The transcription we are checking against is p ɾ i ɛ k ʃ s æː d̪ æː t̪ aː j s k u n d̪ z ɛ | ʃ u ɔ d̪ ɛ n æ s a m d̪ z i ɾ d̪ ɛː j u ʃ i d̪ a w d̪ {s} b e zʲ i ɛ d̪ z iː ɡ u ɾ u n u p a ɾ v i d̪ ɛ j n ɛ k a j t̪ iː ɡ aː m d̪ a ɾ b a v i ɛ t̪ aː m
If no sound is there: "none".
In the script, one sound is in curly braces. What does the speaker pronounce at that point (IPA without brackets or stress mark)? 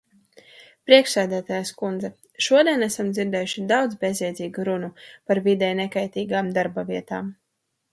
z